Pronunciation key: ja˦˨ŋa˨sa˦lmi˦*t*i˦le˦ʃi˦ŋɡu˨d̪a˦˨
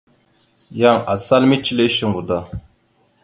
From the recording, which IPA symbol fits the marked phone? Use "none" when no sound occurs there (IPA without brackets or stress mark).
t͡ʃ